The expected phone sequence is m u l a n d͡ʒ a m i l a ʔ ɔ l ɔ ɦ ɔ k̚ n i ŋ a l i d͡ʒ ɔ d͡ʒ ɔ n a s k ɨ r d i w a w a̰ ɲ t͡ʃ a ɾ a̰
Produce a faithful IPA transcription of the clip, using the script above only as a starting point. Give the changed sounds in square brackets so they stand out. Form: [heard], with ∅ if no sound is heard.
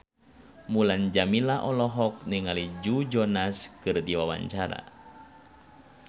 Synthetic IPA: m u l a n d͡ʒ a m i l a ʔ ɔ l ɔ ɦ ɔ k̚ n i ŋ a l i d͡ʒ [u] d͡ʒ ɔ n a s k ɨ r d i w a w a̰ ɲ t͡ʃ a ɾ a̰